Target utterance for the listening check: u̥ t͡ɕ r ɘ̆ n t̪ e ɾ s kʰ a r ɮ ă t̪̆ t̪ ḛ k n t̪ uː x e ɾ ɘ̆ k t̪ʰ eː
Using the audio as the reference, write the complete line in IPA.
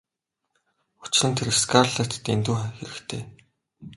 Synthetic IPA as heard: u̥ t͡ɕ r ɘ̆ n t̪ʰ e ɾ s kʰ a r ɮ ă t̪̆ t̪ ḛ n t̪ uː x e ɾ ɘ̆ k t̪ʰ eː